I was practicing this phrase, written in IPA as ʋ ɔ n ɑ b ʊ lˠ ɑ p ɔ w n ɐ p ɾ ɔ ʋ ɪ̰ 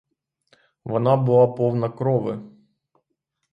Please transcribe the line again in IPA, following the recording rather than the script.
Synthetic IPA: ʋ ɔ n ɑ b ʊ lˠ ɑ p ɔ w n ɐ k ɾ ɔ ʋ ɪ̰

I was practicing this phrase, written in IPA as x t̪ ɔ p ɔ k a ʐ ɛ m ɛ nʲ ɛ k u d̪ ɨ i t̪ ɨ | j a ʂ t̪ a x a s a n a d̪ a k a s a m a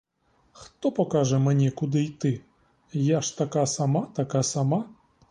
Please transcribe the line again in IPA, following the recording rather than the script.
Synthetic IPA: x t̪ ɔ p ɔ k a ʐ ɛ m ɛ nʲ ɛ k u d̪ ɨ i t̪ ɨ | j a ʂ t̪ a k a s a m a t̪ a k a s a m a

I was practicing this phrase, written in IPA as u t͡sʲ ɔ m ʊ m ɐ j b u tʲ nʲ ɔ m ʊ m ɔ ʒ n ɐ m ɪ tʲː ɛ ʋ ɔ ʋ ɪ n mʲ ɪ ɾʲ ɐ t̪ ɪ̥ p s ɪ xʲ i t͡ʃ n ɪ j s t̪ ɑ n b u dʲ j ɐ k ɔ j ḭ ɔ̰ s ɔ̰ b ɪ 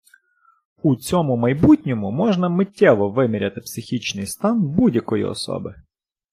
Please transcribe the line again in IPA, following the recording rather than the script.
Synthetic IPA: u t͡sʲ ɔ m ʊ m ɐ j b u tʲ nʲ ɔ m ʊ m ɔ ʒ n ɐ m ɪ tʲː ɛ ʋ ɔ ʋ ɪ mʲ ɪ ɾʲ ɐ t̪ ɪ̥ p s ɪ xʲ i t͡ʃ n ɪ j s t̪ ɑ n b u dʲ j ɐ k ɔ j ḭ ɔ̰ s ɔ̰ b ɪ

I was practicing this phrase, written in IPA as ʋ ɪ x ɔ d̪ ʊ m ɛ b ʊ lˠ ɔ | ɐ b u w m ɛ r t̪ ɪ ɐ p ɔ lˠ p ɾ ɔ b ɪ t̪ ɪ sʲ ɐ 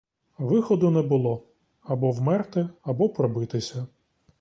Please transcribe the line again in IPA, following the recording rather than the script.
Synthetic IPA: ʋ ɪ x ɔ d̪ ʊ n ɛ b ʊ lˠ ɔ | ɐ b ɔ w m ɛ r t̪ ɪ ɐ b ɔ p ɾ ɔ b ɪ t̪ ɪ sʲ ɐ

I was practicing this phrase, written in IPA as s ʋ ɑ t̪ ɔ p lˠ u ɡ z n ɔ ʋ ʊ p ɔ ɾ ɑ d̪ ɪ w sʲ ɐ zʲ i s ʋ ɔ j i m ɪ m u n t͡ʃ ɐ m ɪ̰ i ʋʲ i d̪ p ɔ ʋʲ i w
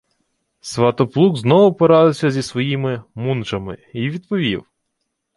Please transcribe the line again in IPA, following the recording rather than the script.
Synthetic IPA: s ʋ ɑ t̪ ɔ p lˠ u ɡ z n ɔ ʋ ʊ p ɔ ɾ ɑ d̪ ɪ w sʲ ɐ zʲ i s ʋ ɔ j i m ɪ m u n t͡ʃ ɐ m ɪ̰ i ʋʲ i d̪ p ɔ ʋʲ i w

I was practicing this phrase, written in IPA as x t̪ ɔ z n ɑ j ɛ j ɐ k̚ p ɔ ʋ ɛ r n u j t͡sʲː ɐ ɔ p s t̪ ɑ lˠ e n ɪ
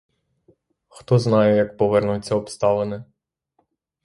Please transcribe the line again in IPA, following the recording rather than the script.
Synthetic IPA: x t̪ ɔ z n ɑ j ɛ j ɐ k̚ p ɔ ʋ ɛ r n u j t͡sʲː ɐ ɔ p s t̪ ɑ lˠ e n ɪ

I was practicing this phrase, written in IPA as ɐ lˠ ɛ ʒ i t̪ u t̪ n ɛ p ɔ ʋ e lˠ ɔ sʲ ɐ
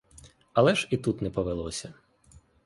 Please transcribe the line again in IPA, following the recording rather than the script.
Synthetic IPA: ɐ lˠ ɛ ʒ i t̪ u t̪ n ɛ p ɔ ʋ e lˠ ɔ sʲ ɐ

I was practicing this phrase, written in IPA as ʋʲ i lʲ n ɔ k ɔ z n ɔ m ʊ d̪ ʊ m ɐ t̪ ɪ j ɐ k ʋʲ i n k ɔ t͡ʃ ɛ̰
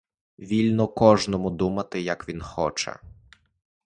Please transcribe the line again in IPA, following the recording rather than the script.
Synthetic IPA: ʋʲ i lʲ n ɔ k ɔ ʒ n ɔ m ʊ d̪ u m ɐ t̪ ɪ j ɐ k ʋʲ i n x ɔ t͡ʃ ɛ̰

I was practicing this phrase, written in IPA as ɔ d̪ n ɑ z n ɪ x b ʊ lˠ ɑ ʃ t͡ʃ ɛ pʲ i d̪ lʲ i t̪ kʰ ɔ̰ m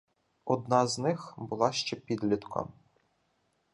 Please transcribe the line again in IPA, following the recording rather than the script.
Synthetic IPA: ɔ d̪ n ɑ z n ɪ x b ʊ lˠ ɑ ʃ t͡ʃ ɛ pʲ i d̪ lʲ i t̪ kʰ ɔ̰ m

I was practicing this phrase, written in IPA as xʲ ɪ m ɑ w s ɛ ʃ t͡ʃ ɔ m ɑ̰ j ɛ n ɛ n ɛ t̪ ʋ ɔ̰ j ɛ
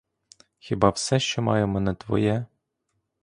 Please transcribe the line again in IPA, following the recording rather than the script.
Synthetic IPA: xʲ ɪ b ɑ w s ɛ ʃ t͡ʃ ɔ m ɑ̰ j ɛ m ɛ n ɛ t̪ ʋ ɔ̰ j ɛ

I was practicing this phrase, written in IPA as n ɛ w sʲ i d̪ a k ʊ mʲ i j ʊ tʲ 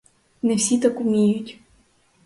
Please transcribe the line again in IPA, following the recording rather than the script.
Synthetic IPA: n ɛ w sʲ i t̪ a k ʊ mʲ i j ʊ tʲ

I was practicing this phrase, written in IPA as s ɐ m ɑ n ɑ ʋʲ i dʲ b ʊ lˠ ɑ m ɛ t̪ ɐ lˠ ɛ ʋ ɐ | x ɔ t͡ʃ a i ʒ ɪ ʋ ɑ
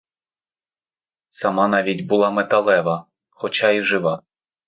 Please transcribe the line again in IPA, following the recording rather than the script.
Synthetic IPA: s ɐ m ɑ n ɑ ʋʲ i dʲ b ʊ lˠ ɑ m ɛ t̪ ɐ lˠ ɛ ʋ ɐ | x ɔ t͡ʃ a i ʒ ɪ ʋ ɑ

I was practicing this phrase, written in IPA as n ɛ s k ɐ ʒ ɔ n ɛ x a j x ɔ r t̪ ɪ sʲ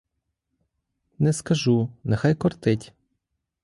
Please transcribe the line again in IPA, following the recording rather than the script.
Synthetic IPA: n ɛ s k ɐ ʒ u n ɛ x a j k ɔ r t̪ ɪ tʲ

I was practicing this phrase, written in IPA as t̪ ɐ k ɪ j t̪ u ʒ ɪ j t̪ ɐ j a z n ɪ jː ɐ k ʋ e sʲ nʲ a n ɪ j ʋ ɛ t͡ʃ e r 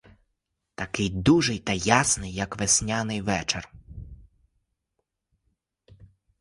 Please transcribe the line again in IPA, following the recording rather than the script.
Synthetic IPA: t̪ ɐ k ɪ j d̪ u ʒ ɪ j t̪ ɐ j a s n ɪ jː ɐ k ʋ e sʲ nʲ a n ɪ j ʋ ɛ t͡ʃ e r

